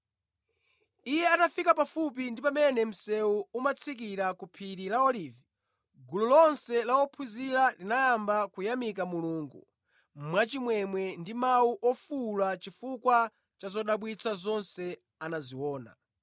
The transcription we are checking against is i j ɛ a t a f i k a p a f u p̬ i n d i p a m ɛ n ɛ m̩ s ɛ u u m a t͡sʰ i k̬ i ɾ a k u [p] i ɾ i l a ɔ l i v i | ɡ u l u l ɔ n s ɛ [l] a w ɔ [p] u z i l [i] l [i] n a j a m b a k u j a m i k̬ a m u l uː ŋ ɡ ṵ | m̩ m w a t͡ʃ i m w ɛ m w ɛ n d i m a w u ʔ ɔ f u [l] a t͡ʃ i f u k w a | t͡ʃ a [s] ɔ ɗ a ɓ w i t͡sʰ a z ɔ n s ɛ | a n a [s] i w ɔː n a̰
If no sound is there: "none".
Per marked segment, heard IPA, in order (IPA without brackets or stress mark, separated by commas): pʰ, l, pʰ, a, i, l, z, z